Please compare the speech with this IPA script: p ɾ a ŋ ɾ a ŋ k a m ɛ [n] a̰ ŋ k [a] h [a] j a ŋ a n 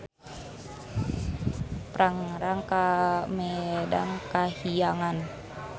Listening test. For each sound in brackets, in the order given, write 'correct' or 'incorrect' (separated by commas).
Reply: incorrect, correct, incorrect